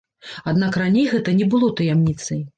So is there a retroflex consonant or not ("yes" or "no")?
no